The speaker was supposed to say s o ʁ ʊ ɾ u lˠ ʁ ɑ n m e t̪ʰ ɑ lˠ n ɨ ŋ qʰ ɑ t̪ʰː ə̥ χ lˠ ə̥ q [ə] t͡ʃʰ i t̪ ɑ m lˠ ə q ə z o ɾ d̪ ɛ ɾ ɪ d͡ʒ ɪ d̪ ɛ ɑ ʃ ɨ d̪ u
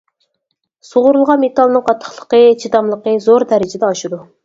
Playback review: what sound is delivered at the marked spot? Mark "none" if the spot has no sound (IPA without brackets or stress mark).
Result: ə